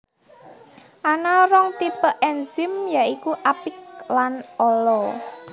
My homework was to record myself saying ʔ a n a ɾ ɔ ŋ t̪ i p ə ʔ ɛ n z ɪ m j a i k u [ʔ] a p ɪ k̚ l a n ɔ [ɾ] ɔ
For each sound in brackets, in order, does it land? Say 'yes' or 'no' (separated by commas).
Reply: yes, no